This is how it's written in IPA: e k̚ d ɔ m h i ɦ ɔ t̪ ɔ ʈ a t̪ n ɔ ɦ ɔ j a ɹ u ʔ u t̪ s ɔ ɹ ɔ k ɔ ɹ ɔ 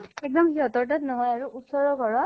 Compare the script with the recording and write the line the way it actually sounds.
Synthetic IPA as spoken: e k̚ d ɔ m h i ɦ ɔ t̪ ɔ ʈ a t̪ n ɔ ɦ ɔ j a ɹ u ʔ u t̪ s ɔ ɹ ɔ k ɔ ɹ ɔ